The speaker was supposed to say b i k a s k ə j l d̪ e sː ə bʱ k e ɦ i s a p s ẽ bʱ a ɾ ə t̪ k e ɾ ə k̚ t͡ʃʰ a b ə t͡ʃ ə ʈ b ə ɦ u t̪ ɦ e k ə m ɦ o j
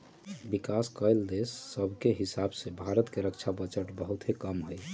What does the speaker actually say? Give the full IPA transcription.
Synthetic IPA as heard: b i k a s k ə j l d̪ e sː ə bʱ k e ɦ i s a b s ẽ bʱ a ɾ ə t̪ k e ɾ ə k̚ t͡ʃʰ a b ə t͡ʃ ə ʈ b ə ɦ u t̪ ɦ e k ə m ɦ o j